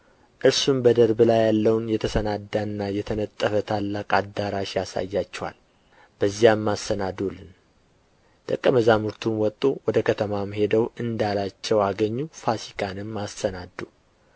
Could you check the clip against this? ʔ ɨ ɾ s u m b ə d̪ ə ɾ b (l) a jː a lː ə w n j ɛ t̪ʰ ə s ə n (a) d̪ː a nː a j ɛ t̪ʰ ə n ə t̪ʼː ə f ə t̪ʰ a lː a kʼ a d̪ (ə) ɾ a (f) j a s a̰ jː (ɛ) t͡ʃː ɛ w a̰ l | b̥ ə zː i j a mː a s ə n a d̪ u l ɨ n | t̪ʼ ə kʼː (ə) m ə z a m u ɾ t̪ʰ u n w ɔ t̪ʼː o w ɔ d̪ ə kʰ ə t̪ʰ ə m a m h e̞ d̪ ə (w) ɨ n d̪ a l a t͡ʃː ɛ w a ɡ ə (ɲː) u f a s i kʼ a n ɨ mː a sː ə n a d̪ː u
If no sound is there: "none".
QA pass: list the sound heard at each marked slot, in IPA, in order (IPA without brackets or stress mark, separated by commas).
l, a, a, ʃ, a, ə, w, ɲː